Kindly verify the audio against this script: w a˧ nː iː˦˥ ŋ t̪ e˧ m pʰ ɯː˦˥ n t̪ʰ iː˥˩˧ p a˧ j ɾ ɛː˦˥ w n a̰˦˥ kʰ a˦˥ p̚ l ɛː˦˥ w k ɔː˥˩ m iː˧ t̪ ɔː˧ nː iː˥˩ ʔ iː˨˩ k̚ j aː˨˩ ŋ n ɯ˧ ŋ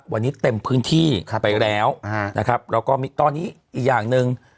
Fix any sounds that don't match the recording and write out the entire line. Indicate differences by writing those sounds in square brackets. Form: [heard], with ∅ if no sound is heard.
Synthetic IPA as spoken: w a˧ nː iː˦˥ [∅] t̪ e˧ m pʰ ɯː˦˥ n t̪ʰ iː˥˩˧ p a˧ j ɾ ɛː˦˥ w n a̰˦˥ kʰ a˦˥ p̚ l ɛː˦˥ w k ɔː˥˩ m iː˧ t̪ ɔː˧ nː [iː˦˥] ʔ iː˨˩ k̚ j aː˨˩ ŋ n ɯ˧ ŋ